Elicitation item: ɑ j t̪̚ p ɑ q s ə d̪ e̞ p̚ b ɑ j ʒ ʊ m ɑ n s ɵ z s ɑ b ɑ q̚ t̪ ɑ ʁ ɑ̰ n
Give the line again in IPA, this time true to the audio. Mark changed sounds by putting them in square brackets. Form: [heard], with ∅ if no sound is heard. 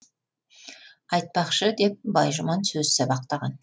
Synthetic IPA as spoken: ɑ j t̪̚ p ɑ q [ʃ] ə d̪ e̞ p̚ b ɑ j ʒ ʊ m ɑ n s ɵ z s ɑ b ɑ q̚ t̪ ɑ ʁ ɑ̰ n